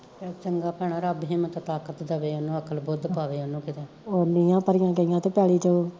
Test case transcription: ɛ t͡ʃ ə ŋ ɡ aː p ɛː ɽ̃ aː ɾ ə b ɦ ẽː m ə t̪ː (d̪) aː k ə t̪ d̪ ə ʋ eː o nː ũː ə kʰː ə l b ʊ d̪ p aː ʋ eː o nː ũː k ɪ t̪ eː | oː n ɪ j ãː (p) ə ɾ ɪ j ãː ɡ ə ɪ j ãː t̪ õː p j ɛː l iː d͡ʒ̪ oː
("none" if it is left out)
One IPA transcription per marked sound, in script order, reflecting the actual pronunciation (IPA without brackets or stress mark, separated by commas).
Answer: t̪, p